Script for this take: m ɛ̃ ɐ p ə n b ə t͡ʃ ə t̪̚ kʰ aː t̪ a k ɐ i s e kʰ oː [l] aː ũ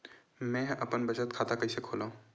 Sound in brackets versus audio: correct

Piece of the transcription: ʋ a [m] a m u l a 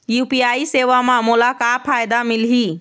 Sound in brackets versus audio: correct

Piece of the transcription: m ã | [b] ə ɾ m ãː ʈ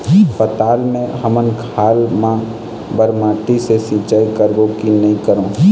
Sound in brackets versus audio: correct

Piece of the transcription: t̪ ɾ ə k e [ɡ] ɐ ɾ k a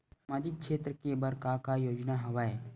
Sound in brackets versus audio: incorrect: b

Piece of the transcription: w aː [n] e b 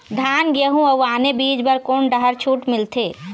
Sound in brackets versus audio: correct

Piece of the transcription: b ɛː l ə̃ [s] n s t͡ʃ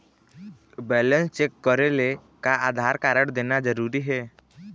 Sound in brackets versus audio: incorrect: none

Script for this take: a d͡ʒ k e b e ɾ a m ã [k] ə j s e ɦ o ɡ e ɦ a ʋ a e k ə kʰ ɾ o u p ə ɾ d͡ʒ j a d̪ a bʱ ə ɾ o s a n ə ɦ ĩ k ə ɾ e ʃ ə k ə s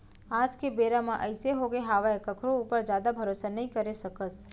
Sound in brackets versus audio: incorrect: ʔ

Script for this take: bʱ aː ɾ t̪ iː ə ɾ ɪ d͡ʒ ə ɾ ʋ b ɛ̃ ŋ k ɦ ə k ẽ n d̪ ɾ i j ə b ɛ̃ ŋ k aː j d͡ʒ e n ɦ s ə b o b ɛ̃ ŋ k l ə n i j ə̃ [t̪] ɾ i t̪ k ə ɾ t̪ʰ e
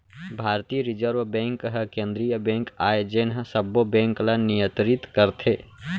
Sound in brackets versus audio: correct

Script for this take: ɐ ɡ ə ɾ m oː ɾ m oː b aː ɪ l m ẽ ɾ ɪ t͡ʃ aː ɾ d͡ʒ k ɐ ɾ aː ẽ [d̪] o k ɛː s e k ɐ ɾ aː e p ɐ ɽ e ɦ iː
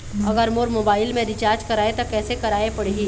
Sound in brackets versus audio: incorrect: t̪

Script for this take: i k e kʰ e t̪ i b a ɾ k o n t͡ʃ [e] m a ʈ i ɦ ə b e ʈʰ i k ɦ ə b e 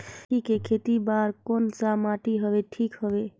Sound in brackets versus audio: incorrect: a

